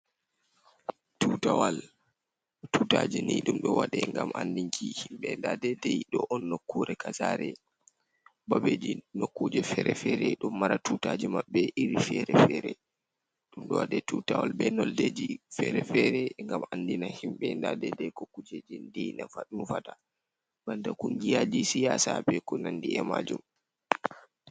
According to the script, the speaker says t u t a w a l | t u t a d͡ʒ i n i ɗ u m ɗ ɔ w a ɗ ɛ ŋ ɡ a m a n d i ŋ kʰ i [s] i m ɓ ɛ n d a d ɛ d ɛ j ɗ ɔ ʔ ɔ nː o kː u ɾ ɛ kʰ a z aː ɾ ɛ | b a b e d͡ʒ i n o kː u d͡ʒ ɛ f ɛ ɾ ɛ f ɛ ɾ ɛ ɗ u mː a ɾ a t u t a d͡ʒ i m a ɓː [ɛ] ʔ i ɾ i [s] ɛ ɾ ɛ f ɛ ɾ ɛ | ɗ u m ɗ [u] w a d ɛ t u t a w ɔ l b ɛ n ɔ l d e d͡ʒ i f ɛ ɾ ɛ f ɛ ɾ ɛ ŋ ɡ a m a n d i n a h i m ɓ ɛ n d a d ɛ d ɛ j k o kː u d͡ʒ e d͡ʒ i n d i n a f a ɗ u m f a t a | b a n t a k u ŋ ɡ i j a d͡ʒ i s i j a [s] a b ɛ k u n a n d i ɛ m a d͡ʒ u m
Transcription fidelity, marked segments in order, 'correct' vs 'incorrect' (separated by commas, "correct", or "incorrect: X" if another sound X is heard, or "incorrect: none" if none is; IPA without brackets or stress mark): incorrect: h, correct, incorrect: f, incorrect: ɔ, correct